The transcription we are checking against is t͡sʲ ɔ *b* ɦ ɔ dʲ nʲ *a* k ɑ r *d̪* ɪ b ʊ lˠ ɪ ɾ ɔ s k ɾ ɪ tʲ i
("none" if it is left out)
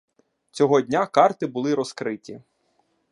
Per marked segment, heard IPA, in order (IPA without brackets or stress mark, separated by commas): none, a, t̪